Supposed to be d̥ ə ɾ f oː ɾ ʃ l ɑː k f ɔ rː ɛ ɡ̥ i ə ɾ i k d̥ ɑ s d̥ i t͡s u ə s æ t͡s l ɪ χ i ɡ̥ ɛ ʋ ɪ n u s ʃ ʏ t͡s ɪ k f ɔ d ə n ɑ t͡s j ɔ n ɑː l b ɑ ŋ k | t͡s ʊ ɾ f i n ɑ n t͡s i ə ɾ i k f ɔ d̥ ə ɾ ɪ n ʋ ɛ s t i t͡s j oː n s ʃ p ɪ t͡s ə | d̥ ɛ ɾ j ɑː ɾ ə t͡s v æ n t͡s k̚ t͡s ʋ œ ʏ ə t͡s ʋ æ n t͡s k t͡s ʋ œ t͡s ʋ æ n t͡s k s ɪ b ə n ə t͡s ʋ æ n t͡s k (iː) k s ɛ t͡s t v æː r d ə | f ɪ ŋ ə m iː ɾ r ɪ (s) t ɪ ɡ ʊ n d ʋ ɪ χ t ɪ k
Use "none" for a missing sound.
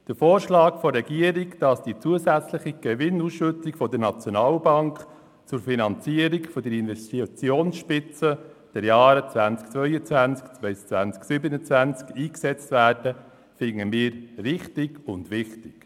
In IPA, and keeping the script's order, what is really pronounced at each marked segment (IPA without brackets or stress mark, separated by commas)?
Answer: iː, χ